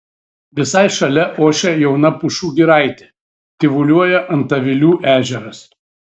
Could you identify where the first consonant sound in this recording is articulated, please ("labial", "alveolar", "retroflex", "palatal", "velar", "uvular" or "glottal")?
labial